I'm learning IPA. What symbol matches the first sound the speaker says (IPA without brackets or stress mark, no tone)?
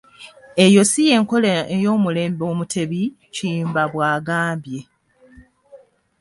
e̞